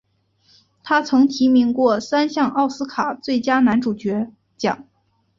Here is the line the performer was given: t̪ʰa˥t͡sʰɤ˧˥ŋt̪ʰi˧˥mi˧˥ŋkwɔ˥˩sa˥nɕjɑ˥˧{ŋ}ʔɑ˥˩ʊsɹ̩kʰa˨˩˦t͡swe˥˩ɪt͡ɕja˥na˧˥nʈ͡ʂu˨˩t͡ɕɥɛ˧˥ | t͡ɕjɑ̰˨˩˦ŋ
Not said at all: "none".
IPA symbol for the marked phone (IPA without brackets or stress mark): ŋ